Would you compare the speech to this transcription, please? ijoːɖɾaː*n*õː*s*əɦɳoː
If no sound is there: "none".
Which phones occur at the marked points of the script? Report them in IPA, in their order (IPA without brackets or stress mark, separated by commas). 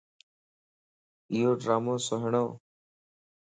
m, s